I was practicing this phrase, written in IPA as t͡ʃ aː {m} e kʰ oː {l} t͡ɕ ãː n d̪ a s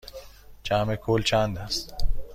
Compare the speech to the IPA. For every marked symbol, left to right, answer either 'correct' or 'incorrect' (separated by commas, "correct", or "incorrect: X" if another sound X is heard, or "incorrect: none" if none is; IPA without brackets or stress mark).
correct, correct